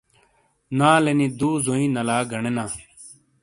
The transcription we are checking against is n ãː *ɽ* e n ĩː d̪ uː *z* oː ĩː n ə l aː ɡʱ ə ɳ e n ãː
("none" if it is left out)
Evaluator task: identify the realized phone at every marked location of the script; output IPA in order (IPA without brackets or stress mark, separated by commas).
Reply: l, z